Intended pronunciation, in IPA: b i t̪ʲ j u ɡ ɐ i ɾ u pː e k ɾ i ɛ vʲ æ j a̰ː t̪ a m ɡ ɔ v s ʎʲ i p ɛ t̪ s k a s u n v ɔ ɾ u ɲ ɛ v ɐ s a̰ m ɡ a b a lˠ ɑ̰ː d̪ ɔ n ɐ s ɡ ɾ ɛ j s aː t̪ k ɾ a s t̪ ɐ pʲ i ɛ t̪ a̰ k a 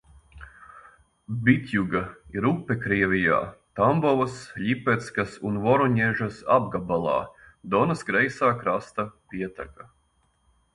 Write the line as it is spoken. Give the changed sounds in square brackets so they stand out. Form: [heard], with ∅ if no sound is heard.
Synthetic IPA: b i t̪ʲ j u ɡ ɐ i ɾ u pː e k ɾ i ɛ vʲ [i] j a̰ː t̪ a m [b] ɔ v s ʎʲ i p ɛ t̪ s k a s u n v ɔ ɾ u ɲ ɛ [ʒ] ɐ s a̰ [b] ɡ a b a lˠ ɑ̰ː d̪ ɔ n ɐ s ɡ ɾ ɛ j s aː [∅] k ɾ a s t̪ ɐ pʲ i ɛ t̪ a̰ k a